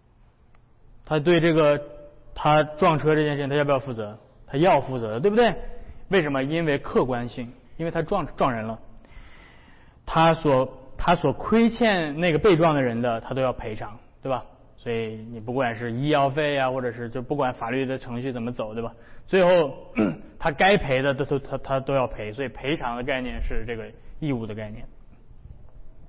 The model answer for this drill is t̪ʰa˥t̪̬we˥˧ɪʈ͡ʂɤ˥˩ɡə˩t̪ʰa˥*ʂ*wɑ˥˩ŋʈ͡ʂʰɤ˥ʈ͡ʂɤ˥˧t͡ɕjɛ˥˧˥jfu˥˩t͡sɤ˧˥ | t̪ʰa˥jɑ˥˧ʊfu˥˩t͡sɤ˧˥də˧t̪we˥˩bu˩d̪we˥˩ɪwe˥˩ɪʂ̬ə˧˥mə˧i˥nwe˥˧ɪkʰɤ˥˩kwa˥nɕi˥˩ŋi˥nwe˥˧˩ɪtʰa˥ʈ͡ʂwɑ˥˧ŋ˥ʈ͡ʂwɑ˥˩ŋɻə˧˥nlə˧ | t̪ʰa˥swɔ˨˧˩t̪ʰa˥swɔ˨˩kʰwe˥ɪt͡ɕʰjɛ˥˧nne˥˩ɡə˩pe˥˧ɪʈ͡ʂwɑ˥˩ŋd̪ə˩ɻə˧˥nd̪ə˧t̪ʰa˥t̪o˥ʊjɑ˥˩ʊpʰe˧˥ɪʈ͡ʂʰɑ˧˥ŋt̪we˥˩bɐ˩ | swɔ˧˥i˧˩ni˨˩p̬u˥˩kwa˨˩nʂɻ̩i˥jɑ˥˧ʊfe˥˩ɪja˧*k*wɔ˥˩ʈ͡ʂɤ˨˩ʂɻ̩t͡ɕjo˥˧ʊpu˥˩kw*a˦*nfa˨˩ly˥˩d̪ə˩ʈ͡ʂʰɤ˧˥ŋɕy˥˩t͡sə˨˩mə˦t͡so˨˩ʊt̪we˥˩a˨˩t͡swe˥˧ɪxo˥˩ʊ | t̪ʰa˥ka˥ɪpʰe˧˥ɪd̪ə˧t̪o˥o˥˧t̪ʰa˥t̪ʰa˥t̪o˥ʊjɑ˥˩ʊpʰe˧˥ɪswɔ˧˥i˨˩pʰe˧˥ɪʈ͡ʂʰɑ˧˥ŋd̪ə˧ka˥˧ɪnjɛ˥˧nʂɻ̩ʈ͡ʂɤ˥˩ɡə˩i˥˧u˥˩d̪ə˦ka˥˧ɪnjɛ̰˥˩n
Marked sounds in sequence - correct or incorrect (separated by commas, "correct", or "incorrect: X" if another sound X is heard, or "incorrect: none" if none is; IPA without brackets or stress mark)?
incorrect: ʈ͡ʂ, incorrect: x, incorrect: a˨˧˥